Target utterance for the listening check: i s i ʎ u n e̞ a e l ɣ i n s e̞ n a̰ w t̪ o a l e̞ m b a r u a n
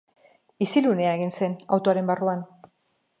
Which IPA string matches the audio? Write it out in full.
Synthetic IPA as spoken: i s i l u n e̞ a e ɣ i n s e̞ n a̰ w t̪ o a ɾ e̞ m b a r u a n